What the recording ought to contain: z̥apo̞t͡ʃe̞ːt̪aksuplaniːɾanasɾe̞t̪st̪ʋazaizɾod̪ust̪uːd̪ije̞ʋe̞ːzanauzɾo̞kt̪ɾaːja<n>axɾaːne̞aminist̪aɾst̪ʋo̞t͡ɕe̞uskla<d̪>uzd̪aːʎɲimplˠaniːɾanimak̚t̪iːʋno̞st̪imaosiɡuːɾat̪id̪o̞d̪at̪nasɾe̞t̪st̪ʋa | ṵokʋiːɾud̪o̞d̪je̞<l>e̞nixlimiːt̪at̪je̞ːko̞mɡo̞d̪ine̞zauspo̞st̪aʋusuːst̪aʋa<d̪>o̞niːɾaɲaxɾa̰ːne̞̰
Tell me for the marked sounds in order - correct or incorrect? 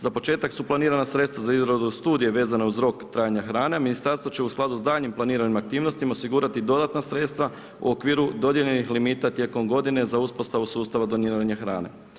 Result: incorrect: ɲ, correct, incorrect: ʎ, correct

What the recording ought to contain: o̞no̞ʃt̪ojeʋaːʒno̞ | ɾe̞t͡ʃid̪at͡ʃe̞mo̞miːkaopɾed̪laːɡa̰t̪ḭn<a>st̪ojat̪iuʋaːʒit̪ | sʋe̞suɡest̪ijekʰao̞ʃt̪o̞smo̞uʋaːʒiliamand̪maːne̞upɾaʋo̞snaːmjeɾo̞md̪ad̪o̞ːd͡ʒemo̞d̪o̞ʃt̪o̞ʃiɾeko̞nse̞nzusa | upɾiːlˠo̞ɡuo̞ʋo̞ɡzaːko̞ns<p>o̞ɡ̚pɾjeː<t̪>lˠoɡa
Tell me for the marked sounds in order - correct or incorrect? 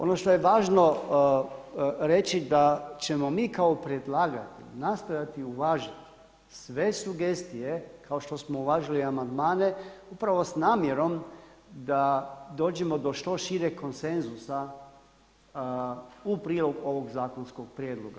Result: correct, incorrect: k, incorrect: d̪

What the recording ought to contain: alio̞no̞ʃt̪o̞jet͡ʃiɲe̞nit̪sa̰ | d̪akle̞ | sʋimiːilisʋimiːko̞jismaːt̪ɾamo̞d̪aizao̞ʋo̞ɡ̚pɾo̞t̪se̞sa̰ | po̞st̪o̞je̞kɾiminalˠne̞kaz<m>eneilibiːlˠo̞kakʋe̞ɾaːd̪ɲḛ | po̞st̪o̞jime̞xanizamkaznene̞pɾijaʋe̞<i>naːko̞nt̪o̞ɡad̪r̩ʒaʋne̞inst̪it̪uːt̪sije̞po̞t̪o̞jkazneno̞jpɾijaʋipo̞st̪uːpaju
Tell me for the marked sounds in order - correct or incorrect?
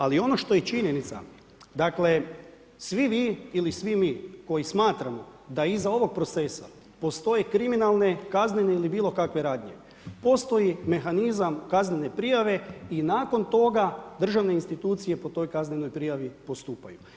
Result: incorrect: n, correct

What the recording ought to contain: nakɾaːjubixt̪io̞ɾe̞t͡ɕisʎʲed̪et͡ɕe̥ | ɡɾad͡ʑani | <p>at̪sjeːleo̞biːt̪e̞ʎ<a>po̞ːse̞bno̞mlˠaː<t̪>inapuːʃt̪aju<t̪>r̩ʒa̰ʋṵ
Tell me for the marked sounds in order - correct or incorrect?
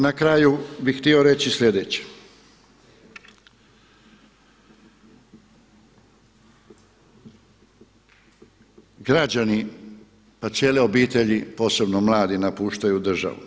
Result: correct, incorrect: i, incorrect: d̪, incorrect: d̪

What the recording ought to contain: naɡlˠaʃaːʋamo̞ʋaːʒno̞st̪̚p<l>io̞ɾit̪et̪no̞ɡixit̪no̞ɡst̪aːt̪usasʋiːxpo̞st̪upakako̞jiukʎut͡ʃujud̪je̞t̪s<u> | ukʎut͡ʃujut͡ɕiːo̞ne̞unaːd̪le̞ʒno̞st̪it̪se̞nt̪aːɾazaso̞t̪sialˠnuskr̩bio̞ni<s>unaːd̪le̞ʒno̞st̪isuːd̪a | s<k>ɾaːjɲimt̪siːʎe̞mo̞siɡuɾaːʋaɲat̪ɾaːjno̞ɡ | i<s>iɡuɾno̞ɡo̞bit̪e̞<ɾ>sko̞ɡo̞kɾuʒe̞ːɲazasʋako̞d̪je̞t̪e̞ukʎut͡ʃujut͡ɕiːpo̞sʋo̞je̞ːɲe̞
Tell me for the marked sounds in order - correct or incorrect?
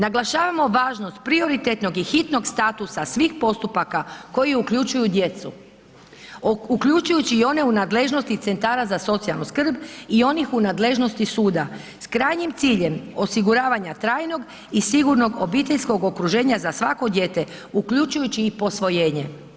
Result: incorrect: ɾ, correct, incorrect: x, correct, correct, incorrect: ʎ

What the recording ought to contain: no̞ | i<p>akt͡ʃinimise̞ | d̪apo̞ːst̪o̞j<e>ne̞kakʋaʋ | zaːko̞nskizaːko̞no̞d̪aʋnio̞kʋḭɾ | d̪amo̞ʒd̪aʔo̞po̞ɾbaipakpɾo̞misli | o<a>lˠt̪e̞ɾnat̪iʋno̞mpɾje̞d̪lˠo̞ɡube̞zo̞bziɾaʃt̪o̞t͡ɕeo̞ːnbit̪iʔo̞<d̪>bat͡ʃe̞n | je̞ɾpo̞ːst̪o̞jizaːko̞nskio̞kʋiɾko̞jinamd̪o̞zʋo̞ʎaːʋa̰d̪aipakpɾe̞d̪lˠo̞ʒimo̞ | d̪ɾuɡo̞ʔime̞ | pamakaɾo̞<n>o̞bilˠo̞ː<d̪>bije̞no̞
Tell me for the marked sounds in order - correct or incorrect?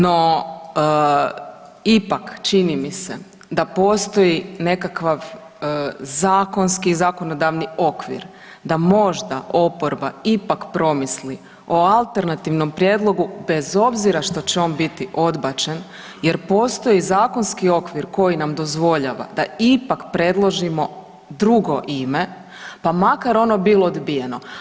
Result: correct, incorrect: i, correct, correct, correct, correct

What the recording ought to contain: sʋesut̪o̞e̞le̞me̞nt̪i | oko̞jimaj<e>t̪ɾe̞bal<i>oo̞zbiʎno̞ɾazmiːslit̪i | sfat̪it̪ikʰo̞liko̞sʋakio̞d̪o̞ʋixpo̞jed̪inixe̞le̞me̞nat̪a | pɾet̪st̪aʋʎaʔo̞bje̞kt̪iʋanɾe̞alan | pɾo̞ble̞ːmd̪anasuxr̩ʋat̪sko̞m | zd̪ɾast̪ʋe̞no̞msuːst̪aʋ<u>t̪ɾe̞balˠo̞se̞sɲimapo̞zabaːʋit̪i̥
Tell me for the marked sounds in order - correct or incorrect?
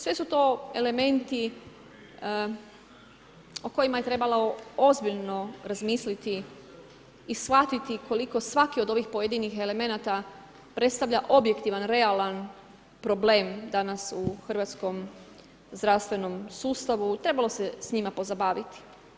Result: correct, incorrect: a, correct

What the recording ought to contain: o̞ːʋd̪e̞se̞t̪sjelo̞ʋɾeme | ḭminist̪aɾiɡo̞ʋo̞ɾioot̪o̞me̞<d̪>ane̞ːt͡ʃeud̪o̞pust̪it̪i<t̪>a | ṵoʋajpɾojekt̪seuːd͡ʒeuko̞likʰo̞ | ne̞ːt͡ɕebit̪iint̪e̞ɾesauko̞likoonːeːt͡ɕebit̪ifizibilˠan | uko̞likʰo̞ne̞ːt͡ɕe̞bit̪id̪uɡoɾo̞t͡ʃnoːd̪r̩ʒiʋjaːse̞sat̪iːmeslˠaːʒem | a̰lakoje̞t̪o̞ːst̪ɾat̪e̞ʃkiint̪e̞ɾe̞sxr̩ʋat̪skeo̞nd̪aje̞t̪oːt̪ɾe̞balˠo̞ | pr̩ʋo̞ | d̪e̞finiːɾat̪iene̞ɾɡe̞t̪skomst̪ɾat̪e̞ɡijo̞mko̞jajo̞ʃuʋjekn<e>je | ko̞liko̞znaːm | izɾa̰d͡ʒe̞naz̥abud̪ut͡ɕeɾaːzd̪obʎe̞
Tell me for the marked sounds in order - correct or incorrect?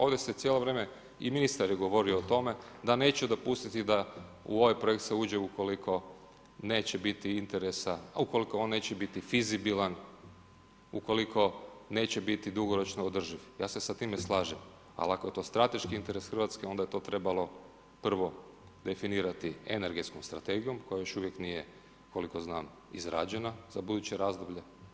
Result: correct, incorrect: d̪, incorrect: i

